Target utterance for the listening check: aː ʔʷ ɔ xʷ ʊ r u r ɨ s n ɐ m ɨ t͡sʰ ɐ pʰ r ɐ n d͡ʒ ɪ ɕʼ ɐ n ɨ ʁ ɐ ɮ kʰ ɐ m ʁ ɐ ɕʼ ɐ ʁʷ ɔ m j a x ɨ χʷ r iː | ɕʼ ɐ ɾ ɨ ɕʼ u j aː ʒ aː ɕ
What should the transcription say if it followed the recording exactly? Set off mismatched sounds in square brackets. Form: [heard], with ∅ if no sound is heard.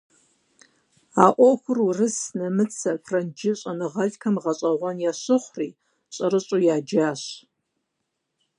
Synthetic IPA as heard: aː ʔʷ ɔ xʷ ʊ r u r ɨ s n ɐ m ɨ t͡sʰ ɐ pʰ r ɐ n d͡ʒ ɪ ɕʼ ɐ n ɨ ʁ ɐ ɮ kʰ ɐ m ʁ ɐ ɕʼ ɐ ʁʷ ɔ [n] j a [ɕ] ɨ χʷ r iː | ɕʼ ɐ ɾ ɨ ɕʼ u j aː [d͡ʒ] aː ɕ